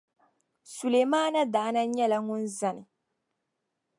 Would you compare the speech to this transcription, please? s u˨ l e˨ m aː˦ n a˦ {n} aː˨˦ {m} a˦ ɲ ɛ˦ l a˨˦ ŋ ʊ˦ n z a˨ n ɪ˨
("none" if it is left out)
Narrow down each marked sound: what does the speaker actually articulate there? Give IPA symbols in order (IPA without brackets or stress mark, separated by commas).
d, n